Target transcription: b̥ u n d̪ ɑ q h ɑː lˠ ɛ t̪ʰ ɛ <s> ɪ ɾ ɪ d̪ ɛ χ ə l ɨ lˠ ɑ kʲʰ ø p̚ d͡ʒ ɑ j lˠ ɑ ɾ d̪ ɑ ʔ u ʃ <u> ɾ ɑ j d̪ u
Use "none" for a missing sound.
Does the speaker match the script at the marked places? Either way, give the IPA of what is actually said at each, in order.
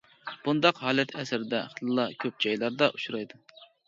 s, u

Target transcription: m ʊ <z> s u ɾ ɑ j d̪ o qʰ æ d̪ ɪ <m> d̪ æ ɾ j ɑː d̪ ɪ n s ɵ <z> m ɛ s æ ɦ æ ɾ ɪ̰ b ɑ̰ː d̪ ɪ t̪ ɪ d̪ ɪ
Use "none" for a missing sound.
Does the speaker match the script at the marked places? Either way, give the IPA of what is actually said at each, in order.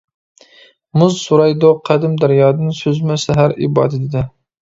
z, m, z

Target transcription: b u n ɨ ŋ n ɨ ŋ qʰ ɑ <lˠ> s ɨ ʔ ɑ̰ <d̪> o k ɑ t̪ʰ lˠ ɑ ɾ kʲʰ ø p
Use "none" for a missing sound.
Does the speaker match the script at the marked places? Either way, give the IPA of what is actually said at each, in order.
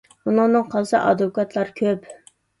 lˠ, d̪

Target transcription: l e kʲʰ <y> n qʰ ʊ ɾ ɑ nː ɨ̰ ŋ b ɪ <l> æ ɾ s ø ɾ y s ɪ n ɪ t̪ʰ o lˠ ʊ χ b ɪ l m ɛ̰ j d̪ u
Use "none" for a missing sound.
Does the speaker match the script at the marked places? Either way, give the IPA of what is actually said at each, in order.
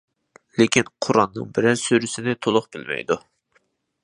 i, ɾ

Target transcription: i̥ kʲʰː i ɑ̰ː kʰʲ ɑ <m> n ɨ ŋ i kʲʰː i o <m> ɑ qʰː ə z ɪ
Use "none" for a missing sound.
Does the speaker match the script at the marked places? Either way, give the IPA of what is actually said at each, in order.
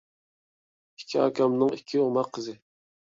m, m

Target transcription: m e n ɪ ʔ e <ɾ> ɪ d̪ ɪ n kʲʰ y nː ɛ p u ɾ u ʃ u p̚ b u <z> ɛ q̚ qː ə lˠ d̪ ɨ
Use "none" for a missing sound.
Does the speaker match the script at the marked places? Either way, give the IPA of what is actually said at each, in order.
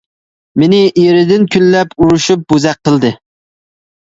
ɾ, z

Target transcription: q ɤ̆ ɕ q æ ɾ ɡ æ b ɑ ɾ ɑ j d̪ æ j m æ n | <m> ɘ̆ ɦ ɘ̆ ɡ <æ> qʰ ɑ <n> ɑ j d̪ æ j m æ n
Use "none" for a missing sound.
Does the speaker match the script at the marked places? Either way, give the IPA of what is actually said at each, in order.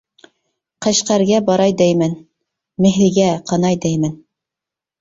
m, æ, n

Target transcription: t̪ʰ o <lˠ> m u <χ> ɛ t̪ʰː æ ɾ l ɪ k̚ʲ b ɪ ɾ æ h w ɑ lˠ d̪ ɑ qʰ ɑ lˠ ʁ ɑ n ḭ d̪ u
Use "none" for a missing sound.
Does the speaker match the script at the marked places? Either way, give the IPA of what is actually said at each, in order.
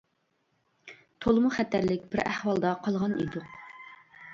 lˠ, χ

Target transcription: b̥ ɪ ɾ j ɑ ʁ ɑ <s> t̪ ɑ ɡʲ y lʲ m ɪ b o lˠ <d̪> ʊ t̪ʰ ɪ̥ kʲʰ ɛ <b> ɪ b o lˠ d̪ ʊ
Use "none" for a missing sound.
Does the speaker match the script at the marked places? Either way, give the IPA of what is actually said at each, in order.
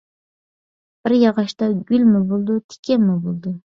ʃ, d̪, m

